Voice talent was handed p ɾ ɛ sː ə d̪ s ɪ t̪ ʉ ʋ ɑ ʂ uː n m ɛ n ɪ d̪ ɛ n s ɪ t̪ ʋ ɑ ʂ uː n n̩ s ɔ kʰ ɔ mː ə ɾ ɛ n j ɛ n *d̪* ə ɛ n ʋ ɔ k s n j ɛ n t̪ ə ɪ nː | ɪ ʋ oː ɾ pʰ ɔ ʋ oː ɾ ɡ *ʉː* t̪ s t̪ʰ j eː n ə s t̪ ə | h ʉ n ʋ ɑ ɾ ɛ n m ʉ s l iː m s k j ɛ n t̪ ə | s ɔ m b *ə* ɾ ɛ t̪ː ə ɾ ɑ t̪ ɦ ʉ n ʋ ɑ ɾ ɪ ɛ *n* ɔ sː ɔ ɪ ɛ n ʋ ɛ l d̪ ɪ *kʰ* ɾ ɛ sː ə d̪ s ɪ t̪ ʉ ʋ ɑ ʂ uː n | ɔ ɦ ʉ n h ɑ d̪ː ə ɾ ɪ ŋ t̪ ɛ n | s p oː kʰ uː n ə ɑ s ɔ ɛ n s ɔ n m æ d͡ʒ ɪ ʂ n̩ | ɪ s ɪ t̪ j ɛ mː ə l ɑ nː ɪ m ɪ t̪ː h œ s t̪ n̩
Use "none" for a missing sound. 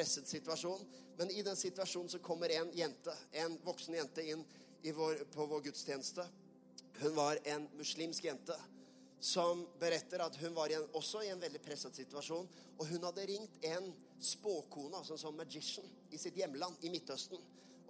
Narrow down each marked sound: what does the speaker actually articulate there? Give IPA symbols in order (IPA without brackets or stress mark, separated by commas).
t̪, ʉ, ə, n, pʰ